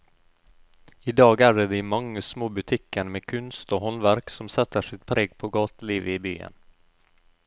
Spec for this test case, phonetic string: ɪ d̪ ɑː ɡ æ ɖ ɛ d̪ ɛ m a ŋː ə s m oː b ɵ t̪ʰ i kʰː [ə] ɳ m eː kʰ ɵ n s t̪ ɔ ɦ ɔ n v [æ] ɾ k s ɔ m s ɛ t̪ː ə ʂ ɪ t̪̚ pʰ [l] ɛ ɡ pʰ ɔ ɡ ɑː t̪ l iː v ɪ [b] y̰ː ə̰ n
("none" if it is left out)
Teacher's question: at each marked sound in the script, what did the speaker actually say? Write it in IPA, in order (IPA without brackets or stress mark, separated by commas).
ə, æ, ɾ, b